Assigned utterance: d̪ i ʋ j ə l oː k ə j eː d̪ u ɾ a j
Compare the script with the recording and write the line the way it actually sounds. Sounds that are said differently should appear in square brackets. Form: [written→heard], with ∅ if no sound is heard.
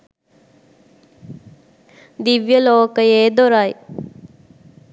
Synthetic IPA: d̪ i ʋ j ə l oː k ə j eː d̪ [u→o] ɾ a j